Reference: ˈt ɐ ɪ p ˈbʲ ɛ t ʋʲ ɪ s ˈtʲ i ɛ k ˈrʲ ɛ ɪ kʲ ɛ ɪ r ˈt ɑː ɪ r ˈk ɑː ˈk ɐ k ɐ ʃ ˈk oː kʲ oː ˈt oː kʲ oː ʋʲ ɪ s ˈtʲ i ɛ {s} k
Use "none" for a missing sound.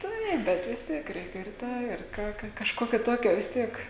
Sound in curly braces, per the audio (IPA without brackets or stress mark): none